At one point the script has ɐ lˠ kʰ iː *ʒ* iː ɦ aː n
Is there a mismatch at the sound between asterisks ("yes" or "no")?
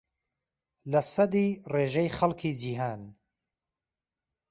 yes